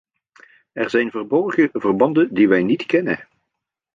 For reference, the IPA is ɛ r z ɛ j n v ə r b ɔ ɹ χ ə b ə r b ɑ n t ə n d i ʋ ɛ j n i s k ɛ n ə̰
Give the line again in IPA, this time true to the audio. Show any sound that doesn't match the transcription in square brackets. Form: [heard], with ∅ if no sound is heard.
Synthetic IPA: ɛ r z ɛ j n v ə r b ɔ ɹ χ ə [v] ə r b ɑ n [d] ə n d i ʋ ɛ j n i [t] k ɛ n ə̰